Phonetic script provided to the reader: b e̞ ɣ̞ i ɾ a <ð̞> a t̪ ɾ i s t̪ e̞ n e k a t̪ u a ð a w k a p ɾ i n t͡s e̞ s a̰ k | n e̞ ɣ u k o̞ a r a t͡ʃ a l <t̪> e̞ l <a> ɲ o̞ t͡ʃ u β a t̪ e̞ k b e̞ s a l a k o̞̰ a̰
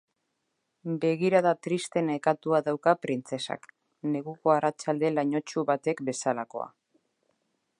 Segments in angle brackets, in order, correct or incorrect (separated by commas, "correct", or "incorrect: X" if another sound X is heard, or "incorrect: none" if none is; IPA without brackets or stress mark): correct, incorrect: d̪, correct